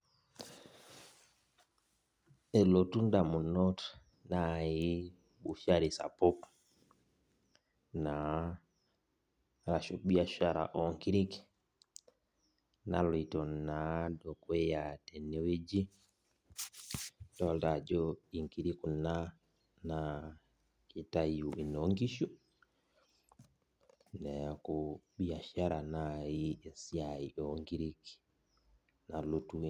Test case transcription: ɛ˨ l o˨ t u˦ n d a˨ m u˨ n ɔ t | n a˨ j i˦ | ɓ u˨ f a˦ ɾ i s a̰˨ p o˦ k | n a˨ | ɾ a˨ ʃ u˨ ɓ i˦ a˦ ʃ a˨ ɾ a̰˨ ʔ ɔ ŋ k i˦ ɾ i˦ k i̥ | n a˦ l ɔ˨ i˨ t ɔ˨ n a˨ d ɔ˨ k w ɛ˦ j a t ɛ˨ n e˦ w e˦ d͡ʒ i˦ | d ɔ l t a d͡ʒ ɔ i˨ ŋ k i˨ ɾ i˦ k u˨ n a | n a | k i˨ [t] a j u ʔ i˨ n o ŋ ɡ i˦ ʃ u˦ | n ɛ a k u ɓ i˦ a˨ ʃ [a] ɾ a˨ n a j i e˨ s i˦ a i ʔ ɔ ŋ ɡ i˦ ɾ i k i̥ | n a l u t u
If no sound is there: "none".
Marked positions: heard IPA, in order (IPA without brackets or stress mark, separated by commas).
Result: t, a